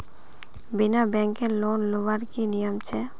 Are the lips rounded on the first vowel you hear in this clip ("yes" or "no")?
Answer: no